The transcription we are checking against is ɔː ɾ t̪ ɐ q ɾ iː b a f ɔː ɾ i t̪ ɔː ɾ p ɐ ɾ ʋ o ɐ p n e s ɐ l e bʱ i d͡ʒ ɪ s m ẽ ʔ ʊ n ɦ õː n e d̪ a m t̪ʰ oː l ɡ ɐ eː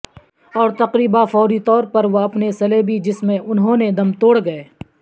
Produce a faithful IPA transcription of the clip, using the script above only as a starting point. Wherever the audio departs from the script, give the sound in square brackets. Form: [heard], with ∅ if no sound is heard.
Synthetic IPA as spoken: ɔː ɾ t̪ ɐ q ɾ iː b a f ɔː ɾ i t̪ ɔː ɾ p ɐ ɾ ʋ o ɐ p n e s ɐ l e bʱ i d͡ʒ ɪ s m ẽ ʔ ʊ n ɦ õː n e d̪ [ɐ] m [t̪] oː [ɽ] ɡ ɐ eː

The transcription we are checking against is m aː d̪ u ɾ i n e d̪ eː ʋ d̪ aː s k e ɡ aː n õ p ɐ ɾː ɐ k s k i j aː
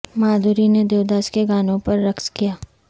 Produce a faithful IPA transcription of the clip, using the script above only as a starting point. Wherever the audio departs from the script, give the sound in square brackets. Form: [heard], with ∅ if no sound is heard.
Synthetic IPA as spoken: m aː d̪ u ɾ i n e d̪ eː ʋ d̪ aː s k e ɡ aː n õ p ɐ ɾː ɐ k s k i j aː

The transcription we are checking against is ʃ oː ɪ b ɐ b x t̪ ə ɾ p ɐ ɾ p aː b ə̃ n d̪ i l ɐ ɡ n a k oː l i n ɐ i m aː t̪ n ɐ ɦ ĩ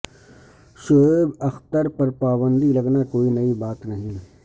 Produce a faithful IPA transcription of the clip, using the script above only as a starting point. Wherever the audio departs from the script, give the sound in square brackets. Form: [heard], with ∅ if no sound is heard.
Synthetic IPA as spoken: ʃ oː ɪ b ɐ [∅] x t̪ ə ɾ p ɐ ɾ p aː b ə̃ n d̪ i l ɐ ɡ n a k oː [∅] i n ɐ i [b] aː t̪ n ɐ ɦ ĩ

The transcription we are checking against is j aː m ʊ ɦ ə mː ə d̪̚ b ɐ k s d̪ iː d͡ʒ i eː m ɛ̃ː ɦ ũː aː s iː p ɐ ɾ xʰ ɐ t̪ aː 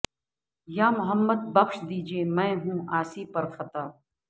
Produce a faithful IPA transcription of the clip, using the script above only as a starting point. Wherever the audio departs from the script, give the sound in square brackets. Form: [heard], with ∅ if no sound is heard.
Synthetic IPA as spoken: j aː m ʊ ɦ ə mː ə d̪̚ b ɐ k [ʃ] d̪ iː d͡ʒ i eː m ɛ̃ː ɦ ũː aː s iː p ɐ ɾ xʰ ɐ t̪ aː

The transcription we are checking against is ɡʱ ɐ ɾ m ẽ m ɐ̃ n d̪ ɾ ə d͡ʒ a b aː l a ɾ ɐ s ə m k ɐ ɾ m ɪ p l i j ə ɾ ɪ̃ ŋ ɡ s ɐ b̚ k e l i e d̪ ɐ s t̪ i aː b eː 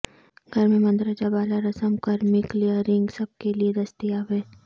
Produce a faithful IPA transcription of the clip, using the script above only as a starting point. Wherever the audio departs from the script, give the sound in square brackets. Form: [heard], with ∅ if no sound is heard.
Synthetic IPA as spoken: ɡʱ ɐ ɾ m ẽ m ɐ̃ n d̪ ɾ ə d͡ʒ a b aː l a ɾ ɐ s ə m k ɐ ɾ m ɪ [k] l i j ə ɾ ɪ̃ ŋ ɡ s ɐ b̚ k e l i e d̪ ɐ s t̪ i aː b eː

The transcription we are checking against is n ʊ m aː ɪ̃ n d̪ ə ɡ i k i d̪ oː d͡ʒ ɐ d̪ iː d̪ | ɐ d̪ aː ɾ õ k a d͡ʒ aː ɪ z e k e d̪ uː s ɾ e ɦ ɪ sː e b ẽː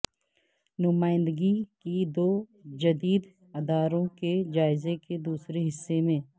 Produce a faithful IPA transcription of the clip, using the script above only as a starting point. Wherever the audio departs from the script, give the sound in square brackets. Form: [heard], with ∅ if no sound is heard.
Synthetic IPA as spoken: n ʊ m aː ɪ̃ n d̪ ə ɡ i k i d̪ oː d͡ʒ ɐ d̪ iː d̪ | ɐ d̪ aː ɾ õ k [e] d͡ʒ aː ɪ z e k e d̪ uː s ɾ e ɦ ɪ sː e [m] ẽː

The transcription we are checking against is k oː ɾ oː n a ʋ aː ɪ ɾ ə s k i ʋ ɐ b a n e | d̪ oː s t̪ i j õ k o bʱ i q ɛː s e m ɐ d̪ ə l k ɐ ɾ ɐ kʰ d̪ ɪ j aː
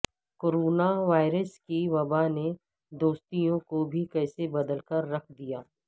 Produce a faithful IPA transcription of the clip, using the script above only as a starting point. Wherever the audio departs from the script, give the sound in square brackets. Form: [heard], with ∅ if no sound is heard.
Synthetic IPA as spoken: k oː ɾ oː n a ʋ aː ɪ ɾ ə s k i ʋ ɐ b a n e | d̪ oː s t̪ i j õ k o bʱ i [k] ɛː s e [b] ɐ d̪ ə l k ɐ [ɾː] ɐ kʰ d̪ [i] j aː

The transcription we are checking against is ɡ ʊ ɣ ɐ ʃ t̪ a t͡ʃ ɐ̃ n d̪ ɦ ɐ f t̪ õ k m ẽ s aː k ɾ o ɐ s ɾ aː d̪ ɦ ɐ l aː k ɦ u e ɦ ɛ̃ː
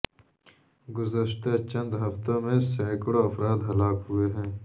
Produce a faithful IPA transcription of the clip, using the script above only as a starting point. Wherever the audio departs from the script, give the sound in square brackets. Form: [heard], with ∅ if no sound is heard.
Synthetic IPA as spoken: ɡ ʊ [z] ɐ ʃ t̪ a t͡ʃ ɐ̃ n d̪ ɦ ɐ f t̪ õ [∅] m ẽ s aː k [ɽ] o ɐ [f] ɾ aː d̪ ɦ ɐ l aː k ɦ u e ɦ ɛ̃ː

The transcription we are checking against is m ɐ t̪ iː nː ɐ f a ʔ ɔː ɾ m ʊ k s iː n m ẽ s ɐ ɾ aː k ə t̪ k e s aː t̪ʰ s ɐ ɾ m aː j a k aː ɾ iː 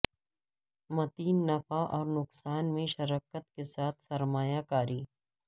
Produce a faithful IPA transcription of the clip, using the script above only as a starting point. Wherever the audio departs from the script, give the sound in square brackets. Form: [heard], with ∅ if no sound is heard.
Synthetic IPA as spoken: m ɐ t̪ iː nː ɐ f a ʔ ɔː ɾ [n] ʊ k s [aː] n m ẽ [ʃ] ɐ ɾ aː k ə t̪ k e s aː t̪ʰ s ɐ ɾ m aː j a k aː ɾ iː

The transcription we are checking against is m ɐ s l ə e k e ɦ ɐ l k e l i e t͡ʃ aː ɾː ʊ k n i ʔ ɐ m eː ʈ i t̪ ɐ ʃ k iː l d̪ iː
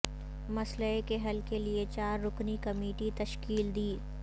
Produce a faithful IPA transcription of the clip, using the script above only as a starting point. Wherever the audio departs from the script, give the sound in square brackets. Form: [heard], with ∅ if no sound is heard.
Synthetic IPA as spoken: m ɐ s l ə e k e ɦ ɐ l k e l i e t͡ʃ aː ɾː ʊ k n i [k] ɐ m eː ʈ i t̪ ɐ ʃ k iː l d̪ iː

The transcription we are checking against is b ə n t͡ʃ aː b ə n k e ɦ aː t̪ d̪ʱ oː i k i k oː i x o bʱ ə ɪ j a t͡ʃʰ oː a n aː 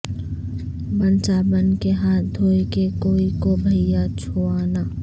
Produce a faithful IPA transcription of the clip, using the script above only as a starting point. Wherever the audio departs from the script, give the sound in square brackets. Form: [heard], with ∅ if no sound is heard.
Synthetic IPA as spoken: b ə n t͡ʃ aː b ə n k e ɦ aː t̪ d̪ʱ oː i k [e] k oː i [k] o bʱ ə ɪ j a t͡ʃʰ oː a n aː

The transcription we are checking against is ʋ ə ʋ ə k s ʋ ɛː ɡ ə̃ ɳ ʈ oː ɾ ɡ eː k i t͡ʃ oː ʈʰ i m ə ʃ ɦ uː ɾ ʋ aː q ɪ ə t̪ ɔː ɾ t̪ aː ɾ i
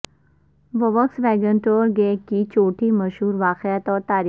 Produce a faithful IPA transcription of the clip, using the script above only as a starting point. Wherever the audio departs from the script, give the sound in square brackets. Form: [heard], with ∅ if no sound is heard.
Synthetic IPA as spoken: ʋ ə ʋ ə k s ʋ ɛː ɡ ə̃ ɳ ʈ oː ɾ ɡ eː k i t͡ʃ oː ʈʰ i m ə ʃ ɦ uː ɾ ʋ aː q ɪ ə t̪ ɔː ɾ t̪ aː ɾ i

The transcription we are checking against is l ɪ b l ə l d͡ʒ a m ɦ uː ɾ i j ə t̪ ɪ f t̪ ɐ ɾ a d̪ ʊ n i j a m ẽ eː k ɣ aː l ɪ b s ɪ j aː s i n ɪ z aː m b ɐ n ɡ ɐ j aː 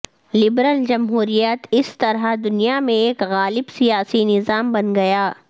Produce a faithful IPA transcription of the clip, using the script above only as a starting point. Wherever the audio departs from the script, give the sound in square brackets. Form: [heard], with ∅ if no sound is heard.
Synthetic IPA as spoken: l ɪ b [ɾ] ə l d͡ʒ [ɐ] m ɦ uː ɾ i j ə t̪ ɪ [s] t̪ ɐ ɾ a d̪ ʊ n i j a m ẽ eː k ɣ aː l ɪ b s [i] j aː s i n ɪ z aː m b ɐ n ɡ ɐ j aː

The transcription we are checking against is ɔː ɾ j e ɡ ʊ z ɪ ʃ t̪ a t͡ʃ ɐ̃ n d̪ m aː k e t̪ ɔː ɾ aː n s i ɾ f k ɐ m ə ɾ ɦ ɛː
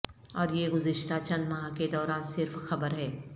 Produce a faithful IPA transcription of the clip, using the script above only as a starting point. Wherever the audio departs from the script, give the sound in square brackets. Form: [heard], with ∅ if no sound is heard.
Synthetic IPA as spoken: ɔː ɾ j e ɡ ʊ z ɪ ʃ t̪ a t͡ʃ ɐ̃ n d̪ m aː k e [d̪] ɔː ɾ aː n s [ɪ] ɾ f [x] ɐ [b] ə ɾ ɦ ɛː

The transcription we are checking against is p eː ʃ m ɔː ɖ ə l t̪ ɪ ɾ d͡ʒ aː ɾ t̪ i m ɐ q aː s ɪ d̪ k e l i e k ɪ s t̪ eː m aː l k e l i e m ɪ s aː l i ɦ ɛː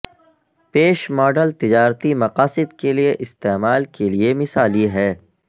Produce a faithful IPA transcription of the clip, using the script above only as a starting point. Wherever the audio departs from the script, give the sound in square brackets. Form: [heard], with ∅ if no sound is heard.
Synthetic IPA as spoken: p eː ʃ m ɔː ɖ ə l t̪ ɪ [∅] d͡ʒ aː ɾ t̪ i m ɐ q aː s ɪ d̪ k e l i e [ʔ] ɪ s t̪ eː m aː l k e l i e m ɪ s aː l i ɦ ɛː

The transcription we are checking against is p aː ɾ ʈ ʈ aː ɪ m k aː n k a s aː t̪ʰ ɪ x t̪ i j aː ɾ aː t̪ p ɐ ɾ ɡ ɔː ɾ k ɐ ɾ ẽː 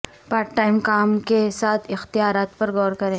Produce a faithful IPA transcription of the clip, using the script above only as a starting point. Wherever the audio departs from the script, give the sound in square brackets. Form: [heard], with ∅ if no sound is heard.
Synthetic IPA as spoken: p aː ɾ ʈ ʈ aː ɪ m k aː [m] k [e] s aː t̪ʰ ɪ x t̪ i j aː ɾ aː t̪ p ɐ ɾ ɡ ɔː ɾ k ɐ ɾ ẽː

